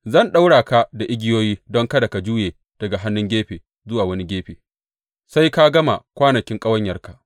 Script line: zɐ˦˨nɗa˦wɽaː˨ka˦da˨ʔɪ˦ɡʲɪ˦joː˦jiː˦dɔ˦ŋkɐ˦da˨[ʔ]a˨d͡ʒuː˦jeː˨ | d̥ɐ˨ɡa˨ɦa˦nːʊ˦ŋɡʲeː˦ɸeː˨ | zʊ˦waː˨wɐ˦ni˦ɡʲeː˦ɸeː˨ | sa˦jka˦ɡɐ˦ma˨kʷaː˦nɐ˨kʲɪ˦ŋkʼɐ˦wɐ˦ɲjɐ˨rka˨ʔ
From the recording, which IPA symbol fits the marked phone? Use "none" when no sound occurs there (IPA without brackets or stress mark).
k